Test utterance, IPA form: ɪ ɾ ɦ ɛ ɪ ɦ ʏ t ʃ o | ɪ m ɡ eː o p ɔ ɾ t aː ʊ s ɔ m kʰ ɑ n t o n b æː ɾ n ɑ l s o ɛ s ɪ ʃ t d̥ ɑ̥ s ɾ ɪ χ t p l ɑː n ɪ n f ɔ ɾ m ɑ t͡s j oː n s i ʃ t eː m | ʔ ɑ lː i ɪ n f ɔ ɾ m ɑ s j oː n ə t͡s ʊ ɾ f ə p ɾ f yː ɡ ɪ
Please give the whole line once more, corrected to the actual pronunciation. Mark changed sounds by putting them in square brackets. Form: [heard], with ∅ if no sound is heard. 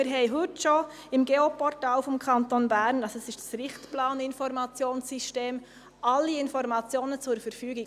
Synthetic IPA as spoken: ɪ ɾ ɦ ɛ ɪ ɦ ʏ t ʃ o | ɪ m ɡ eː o p ɔ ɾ t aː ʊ [f] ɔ m kʰ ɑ n t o n b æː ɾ n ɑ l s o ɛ s ɪ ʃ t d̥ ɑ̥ s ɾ ɪ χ t p l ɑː n ɪ n f ɔ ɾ m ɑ t͡s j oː n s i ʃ t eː m | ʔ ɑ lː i ɪ n f ɔ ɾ m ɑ [t͡s] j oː n ə t͡s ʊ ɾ f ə [∅] ɾ f yː ɡ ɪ